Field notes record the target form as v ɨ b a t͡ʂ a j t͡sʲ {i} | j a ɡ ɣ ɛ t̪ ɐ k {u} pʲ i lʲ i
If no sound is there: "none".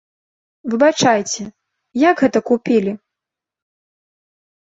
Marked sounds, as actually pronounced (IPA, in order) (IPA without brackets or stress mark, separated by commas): ɛ, u